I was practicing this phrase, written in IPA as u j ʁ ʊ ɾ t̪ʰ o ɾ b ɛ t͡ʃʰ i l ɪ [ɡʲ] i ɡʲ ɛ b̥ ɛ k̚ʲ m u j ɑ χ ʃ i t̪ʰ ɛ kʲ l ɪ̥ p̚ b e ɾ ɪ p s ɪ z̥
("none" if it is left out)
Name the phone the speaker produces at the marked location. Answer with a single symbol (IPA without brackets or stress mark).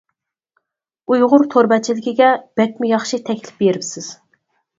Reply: kʲ